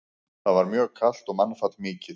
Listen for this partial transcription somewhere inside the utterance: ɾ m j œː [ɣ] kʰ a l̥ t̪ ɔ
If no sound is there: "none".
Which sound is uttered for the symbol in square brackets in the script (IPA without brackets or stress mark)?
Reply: ɣ